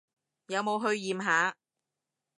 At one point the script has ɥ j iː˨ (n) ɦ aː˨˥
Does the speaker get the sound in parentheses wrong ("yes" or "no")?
yes